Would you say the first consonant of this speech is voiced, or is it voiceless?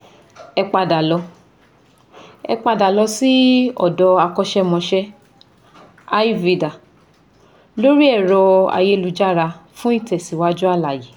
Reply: voiceless